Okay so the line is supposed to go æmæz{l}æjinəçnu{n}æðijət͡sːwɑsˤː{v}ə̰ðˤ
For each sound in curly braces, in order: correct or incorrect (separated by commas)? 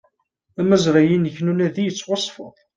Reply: incorrect, correct, incorrect